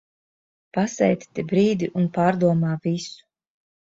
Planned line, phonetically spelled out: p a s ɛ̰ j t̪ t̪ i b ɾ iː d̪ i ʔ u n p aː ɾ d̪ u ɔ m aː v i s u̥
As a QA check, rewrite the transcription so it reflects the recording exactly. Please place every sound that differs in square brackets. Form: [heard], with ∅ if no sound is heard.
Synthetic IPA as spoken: p a s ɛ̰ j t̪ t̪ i b ɾ iː d̪ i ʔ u n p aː ɾ d̪ u ɔ m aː v i s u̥